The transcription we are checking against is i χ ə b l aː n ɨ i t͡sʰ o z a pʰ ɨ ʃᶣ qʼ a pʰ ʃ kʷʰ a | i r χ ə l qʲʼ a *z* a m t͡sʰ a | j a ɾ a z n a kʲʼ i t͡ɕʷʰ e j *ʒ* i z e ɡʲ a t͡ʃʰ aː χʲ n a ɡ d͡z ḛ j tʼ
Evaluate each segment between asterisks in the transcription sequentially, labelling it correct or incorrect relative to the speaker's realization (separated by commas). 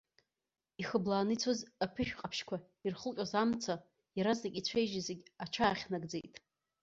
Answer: correct, correct